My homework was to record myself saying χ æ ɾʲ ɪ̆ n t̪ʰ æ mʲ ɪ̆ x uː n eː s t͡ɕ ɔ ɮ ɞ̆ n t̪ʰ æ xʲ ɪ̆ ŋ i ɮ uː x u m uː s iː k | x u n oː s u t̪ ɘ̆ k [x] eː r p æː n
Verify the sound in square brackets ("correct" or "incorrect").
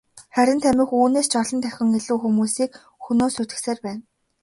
incorrect